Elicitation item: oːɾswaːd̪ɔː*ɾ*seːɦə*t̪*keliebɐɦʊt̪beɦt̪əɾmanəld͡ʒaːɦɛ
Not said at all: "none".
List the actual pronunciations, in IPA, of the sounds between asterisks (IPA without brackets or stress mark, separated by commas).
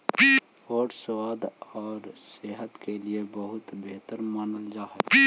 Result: ɾ, t̪